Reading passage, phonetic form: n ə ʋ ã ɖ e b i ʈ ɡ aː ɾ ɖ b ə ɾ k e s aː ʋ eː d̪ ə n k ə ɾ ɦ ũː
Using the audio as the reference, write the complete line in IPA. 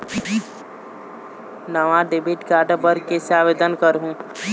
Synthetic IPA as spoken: n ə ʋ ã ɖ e b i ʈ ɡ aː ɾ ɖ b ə ɾ k e s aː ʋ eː d̪ ə n k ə ɾ ɦ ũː